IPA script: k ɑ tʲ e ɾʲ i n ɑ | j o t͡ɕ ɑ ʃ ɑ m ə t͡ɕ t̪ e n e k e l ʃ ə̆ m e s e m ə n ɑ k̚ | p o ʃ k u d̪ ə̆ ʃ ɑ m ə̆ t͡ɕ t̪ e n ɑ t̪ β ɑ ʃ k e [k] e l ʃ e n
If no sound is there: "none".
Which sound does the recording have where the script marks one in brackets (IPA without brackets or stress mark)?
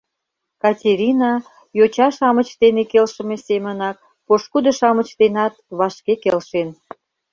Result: k